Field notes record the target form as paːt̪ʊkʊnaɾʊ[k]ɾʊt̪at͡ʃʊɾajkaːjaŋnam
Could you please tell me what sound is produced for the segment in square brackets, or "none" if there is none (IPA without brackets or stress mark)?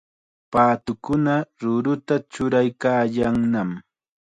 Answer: none